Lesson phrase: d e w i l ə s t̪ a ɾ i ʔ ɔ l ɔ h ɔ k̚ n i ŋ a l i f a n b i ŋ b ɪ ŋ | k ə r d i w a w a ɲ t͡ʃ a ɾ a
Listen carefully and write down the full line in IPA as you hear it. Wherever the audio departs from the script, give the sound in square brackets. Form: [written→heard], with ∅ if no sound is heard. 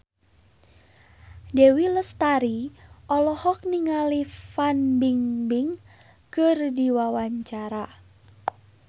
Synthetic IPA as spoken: d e w i l ə s t̪ a ɾ i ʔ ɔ l ɔ h ɔ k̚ n i ŋ a l i f a n b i ŋ b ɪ ŋ | k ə r d i w a w a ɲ t͡ʃ a ɾ a